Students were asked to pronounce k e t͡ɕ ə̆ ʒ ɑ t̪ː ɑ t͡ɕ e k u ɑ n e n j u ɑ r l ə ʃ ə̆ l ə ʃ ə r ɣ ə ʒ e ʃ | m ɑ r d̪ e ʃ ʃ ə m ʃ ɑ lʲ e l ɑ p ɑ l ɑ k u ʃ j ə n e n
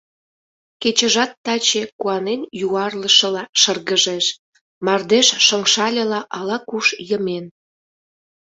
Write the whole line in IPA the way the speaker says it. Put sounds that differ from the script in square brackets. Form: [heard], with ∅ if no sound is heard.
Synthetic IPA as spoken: k e t͡ɕ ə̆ ʒ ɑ t̪ː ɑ t͡ɕ e k u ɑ n e n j u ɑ r l ə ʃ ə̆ l [ɑ] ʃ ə r ɣ ə ʒ e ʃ | m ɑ r d̪ e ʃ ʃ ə [ŋ] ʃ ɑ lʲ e l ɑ [ʔ] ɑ l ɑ k u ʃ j ə [m] e n

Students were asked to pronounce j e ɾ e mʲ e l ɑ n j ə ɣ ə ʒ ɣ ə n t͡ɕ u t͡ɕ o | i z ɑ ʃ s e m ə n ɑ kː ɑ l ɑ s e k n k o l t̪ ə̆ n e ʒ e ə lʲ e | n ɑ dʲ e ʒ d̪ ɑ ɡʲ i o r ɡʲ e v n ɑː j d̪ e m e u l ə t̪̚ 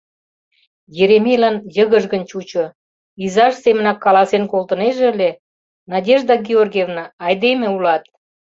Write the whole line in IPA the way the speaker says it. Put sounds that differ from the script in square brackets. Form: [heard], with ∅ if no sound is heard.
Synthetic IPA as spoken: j e ɾ e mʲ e l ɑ n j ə ɣ ə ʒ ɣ ə n t͡ɕ u t͡ɕ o | i z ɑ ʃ s e m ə n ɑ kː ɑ l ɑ s e [∅] n k o l t̪ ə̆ n e ʒ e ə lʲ e | n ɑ dʲ e ʒ d̪ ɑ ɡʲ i o r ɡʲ e v n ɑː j d̪ e m e u l [ɑ] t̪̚

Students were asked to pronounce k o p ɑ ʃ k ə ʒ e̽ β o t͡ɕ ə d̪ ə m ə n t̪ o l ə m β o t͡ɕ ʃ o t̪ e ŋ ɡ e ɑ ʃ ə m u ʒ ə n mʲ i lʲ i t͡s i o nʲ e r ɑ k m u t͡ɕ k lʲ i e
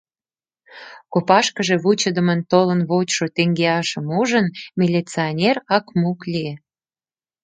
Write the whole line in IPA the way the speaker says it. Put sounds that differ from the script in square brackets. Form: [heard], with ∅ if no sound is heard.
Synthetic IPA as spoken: k o p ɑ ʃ k ə ʒ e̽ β [u] t͡ɕ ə d̪ ə m ə n t̪ o l ə [n] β o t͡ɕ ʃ o t̪ e ŋ ɡ e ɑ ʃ ə m u ʒ ə n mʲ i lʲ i t͡s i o nʲ e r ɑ k m u [∅] k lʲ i e

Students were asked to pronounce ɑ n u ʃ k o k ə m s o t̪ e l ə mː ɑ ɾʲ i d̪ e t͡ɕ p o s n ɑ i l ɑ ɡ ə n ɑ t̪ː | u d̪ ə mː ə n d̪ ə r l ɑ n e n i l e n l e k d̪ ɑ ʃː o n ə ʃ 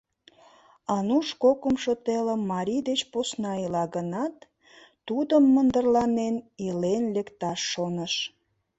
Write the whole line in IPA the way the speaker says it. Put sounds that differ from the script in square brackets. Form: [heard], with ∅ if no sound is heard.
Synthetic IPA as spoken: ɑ n u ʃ k o k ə m [ʃ] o t̪ e l ə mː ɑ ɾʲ i d̪ e t͡ɕ p o s n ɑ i l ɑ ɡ ə n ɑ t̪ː | u d̪ ə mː ə n d̪ ə r l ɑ n e n i l e n l e k [t̪] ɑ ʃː o n ə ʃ

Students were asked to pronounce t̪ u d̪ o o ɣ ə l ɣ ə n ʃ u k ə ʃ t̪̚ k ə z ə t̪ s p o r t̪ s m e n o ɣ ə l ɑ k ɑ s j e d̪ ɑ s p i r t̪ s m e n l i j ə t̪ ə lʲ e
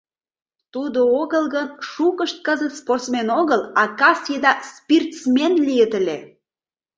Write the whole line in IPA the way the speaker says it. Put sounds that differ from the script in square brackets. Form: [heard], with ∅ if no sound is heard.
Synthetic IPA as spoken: t̪ u d̪ o o ɣ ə l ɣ ə n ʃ u k ə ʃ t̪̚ k ə z ə t̪ s p o r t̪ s m e n o ɣ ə l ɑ k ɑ s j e d̪ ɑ s p i r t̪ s m e n l i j ə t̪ ə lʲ e

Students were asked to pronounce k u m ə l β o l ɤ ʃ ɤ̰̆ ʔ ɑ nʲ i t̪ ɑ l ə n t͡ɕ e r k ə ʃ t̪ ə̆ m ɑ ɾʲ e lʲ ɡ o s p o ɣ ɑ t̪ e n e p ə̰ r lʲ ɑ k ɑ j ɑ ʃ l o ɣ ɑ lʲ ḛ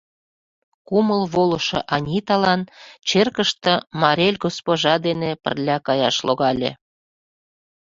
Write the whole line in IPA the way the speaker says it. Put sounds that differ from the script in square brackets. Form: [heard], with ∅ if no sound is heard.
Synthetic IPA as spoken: k u m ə l β o l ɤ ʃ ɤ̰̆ ʔ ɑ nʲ i t̪ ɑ l [ɑ] n t͡ɕ e r k ə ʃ t̪ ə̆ m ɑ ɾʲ e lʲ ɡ o s p o [ʒ] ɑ [d̪] e n e p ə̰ r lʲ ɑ k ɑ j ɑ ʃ l o ɣ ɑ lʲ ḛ

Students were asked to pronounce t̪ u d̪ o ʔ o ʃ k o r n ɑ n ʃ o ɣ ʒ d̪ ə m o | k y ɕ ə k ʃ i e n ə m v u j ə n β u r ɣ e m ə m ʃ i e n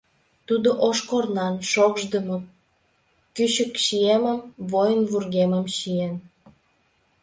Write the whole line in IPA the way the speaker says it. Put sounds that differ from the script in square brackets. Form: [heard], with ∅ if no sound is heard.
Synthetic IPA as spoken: t̪ u d̪ o ʔ o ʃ k o r n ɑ n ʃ o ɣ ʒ d̪ ə m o | k y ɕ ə k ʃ i e [m] ə m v [o] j ə n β u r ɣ e m ə m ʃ i e n

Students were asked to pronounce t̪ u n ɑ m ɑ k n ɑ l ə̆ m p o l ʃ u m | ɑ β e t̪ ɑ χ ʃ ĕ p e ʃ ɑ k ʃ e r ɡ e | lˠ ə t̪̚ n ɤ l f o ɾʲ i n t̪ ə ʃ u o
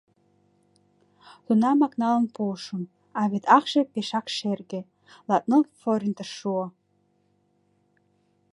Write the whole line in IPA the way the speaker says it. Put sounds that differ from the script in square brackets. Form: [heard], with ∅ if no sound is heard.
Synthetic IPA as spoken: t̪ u n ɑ m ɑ k n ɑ l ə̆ [n] p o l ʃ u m | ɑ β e t̪ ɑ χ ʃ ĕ p e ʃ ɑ k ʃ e r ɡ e | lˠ [ɑ] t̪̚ n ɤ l f o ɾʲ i n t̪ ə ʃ u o

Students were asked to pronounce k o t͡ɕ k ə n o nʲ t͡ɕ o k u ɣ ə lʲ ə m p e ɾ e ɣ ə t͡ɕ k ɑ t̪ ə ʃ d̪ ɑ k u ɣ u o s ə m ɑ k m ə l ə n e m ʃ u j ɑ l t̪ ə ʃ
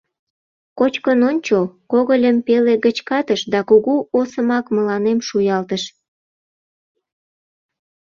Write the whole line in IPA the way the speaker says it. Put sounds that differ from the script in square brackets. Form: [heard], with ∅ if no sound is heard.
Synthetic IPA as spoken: k o t͡ɕ k ə n o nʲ t͡ɕ o k [o] ɣ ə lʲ ə m p e [l] e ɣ ə t͡ɕ k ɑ t̪ ə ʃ d̪ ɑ k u ɣ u o s ə m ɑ k m ə l [ɑ] n e m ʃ u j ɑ l t̪ ə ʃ

